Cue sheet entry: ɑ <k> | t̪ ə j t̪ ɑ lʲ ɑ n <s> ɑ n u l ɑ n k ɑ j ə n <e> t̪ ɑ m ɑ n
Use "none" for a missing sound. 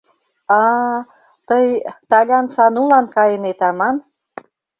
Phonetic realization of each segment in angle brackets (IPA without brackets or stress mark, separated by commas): none, s, e